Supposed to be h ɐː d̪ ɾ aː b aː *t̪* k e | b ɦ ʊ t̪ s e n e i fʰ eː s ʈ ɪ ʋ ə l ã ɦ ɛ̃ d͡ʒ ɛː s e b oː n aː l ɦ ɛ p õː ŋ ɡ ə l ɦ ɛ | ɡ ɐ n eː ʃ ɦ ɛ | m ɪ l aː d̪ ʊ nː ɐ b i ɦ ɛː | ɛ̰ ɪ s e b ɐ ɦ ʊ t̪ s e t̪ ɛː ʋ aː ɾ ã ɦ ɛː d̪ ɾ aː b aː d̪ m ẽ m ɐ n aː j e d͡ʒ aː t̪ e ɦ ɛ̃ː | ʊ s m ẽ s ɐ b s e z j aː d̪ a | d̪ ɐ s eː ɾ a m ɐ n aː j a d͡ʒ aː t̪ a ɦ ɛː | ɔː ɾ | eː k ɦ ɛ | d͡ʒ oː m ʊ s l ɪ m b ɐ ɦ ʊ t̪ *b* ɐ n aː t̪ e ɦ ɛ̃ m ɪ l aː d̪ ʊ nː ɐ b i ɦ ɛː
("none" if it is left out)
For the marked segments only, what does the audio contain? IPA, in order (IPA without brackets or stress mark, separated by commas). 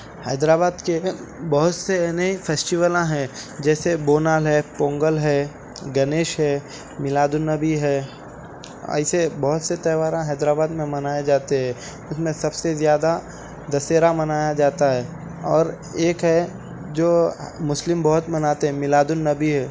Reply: d̪, m